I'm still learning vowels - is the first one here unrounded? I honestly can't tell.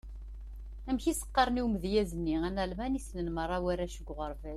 yes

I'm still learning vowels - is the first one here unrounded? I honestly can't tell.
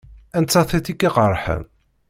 yes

